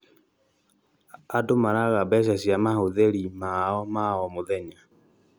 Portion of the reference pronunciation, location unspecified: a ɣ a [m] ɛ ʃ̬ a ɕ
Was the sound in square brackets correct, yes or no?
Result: no